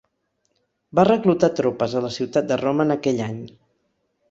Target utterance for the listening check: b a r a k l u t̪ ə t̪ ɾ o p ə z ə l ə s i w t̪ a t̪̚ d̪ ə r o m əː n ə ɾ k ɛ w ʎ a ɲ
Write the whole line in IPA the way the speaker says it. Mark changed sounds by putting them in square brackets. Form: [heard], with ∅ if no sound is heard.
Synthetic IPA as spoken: b a r [ə] k l u t̪ [a] t̪ ɾ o p ə z ə l ə s i w t̪ a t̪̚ d̪ ə r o m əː n ə [∅] k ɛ [∅] ʎ a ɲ